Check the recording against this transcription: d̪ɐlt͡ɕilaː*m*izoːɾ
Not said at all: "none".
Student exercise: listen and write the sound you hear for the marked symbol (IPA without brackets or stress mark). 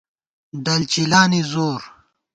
n